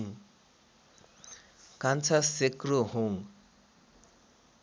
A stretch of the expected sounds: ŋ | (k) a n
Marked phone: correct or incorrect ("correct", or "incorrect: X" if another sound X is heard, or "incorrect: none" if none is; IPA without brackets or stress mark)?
correct